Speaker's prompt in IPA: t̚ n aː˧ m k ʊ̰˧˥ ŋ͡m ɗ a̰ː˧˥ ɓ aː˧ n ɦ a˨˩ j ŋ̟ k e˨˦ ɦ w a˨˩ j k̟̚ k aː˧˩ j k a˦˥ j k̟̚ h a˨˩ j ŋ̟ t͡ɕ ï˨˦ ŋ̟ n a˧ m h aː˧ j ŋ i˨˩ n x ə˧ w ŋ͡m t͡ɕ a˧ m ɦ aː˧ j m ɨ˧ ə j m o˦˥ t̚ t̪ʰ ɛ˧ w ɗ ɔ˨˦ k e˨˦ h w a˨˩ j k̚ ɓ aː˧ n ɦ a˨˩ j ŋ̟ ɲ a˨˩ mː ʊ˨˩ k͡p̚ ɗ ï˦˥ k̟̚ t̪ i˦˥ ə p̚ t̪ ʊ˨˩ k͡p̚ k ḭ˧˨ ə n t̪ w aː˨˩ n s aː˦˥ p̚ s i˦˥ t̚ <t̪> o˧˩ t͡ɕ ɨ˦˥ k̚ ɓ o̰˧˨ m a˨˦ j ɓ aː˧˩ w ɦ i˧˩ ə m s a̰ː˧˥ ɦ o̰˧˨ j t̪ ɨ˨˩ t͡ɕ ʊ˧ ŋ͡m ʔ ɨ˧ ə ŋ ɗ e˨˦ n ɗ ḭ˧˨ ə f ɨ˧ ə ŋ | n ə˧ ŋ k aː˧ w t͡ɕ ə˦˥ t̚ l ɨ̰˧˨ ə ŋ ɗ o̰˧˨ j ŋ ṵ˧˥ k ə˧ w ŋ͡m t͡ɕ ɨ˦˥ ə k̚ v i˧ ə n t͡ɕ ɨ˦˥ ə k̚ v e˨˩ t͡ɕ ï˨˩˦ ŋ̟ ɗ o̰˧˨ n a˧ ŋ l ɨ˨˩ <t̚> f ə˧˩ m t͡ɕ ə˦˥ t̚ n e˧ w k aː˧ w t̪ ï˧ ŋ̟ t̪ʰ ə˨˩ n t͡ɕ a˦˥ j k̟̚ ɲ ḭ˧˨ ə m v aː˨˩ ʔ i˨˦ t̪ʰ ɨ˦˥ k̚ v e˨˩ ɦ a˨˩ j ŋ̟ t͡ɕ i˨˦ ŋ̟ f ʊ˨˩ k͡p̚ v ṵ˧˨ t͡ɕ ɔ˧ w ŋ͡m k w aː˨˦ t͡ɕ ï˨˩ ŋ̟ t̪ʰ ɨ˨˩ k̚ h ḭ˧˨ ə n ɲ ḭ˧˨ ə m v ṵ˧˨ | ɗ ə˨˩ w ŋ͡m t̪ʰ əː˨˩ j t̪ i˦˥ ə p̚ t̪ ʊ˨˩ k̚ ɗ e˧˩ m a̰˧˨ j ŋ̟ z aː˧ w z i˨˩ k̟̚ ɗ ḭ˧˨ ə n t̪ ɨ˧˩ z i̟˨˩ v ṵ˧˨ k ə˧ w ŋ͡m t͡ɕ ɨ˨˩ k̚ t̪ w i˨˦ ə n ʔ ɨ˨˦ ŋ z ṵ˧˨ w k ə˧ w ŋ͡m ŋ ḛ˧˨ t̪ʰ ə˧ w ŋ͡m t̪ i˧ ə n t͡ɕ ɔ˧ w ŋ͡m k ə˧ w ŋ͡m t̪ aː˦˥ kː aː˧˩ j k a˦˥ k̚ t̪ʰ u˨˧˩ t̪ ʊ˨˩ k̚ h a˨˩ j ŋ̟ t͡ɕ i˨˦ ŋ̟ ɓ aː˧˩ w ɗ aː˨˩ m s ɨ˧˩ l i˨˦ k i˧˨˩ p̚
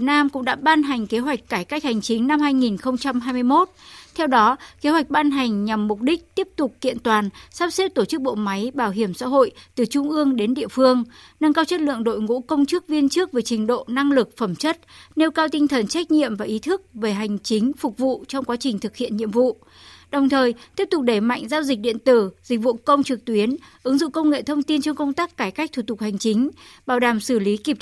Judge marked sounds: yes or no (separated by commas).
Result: yes, no